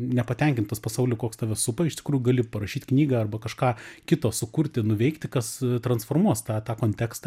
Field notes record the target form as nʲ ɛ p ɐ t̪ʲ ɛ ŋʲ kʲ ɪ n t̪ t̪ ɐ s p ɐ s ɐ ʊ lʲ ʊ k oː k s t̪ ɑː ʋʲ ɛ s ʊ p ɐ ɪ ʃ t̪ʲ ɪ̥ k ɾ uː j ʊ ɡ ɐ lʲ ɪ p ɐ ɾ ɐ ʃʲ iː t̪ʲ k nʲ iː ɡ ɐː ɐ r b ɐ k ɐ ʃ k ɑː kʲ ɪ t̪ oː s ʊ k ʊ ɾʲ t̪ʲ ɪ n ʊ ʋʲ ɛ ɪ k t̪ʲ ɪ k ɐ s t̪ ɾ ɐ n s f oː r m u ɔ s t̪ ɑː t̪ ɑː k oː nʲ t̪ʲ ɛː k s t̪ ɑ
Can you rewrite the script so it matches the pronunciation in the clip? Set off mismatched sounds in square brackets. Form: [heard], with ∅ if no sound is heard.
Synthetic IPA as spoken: nʲ ɛ p ɐ t̪ʲ ɛ ŋʲ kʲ ɪ n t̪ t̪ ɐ s p ɐ s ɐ ʊ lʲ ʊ k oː k s t̪ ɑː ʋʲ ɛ s ʊ p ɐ ɪ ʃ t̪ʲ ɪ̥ k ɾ uː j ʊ ɡ ɐ lʲ ɪ p ɐ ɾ ɐ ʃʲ iː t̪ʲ k nʲ iː ɡ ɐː ɐ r b ɐ k ɐ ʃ k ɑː kʲ ɪ t̪ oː s ʊ k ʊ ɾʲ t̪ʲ ɪ n ʊ ʋʲ ɛ ɪ k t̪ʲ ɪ k ɐ s t̪ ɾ ɐ n s f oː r m u ɔ s t̪ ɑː t̪ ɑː k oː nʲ t̪ʲ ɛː k s t̪ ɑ